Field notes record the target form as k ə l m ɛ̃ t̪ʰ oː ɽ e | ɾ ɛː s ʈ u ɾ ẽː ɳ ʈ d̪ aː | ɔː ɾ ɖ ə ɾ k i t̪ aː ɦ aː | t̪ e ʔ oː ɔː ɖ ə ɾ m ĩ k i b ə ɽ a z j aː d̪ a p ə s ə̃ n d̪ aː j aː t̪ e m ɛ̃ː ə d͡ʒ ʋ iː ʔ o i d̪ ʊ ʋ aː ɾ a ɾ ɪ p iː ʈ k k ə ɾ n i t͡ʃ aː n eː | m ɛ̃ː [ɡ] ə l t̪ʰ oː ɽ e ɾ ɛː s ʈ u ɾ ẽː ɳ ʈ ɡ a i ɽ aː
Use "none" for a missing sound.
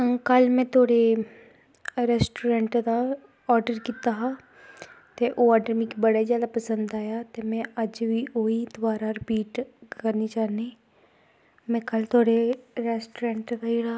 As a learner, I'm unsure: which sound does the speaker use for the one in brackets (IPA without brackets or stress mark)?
k